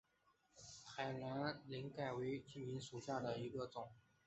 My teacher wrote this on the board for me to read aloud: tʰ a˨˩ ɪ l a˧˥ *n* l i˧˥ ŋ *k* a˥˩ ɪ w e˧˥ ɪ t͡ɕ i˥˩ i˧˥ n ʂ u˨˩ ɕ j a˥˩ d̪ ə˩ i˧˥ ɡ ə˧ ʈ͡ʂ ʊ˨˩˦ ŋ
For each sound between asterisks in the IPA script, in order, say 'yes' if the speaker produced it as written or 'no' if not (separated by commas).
yes, yes